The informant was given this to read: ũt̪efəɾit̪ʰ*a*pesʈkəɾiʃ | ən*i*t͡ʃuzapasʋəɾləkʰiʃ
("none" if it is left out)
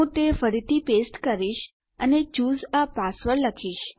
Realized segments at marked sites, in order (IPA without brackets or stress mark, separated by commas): i, e